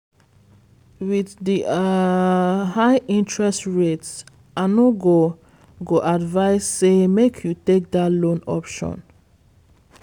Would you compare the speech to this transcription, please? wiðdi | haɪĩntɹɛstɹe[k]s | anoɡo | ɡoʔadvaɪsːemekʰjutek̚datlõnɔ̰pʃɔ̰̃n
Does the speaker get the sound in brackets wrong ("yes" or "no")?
yes